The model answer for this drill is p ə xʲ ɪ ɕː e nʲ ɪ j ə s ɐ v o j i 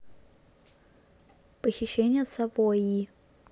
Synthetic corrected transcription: p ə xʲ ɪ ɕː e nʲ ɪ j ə s ɐ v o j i